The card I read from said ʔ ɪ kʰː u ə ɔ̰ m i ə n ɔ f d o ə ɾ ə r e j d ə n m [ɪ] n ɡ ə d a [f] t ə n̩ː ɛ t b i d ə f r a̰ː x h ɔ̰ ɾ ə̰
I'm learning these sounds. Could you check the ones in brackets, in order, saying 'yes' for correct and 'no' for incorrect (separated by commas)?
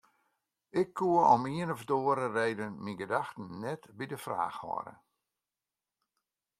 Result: no, no